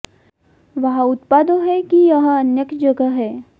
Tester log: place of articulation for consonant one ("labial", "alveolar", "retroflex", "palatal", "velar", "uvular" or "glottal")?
labial